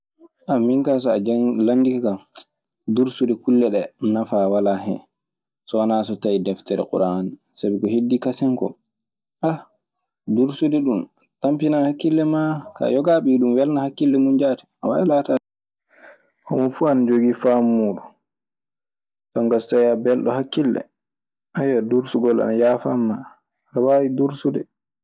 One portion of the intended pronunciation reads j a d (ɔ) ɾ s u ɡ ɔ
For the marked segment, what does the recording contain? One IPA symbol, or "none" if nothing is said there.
u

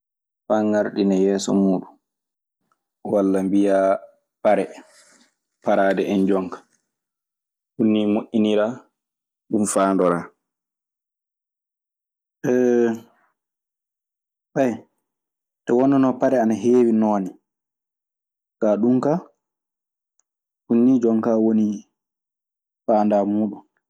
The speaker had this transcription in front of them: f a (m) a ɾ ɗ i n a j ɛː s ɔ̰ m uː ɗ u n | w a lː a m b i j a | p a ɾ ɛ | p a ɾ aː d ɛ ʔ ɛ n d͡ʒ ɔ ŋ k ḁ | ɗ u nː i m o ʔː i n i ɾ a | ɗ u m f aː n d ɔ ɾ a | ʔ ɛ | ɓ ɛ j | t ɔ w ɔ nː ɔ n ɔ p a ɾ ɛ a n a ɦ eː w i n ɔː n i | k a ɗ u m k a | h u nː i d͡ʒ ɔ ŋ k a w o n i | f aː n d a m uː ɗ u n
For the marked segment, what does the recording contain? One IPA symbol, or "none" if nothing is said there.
ŋ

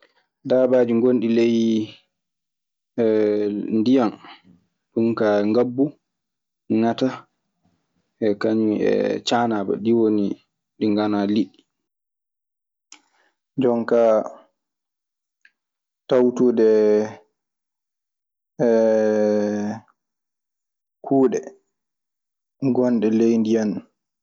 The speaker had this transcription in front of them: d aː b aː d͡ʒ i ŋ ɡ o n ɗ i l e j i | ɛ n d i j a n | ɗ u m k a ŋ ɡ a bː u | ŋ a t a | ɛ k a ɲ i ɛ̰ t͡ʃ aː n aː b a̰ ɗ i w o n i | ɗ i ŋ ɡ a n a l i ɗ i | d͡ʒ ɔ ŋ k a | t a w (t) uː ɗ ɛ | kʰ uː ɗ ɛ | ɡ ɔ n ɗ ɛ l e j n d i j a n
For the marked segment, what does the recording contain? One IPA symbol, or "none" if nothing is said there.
t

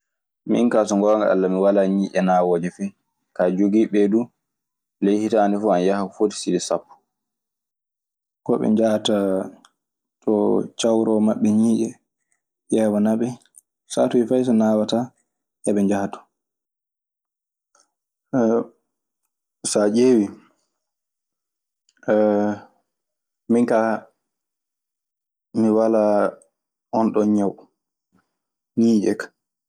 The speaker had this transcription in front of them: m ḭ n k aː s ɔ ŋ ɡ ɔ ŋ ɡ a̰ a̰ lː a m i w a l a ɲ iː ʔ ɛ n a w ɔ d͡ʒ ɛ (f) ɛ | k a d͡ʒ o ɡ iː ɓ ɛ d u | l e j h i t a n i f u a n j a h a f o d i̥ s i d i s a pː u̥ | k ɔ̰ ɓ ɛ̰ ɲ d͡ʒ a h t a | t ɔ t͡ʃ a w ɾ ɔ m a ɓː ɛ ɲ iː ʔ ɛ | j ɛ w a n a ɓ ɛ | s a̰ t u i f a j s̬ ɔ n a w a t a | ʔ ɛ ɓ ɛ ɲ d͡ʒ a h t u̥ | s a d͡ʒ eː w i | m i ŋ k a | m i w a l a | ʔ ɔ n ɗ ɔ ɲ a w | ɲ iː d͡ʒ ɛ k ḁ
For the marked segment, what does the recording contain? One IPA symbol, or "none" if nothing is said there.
f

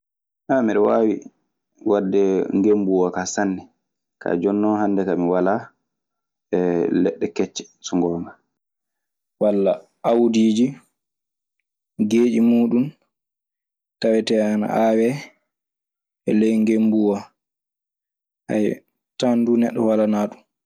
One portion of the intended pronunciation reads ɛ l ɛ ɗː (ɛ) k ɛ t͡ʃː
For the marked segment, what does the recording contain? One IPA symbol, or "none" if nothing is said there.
ɛ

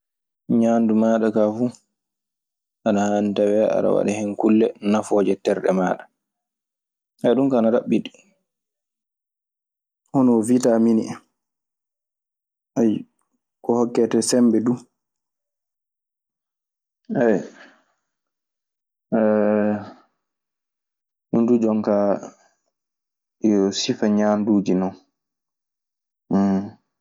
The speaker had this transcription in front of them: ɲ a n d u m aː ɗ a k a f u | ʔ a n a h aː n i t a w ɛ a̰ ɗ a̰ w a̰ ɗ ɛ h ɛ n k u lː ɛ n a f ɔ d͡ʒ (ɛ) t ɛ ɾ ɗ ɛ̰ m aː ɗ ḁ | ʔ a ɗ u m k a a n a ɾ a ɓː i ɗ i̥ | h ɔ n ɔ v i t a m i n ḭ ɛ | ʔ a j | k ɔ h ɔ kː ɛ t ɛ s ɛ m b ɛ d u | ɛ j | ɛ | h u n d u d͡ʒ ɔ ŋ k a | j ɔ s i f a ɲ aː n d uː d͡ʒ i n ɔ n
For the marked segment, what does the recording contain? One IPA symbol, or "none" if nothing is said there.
ɛ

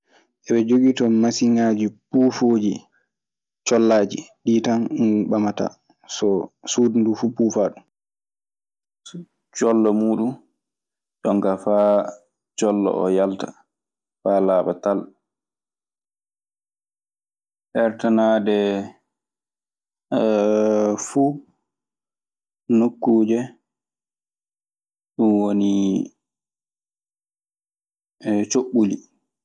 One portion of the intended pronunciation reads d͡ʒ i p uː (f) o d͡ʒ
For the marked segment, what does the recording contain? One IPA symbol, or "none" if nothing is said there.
f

